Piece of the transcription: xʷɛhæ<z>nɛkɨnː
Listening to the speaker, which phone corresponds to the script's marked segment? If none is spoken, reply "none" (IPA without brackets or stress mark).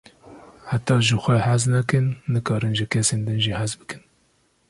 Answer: z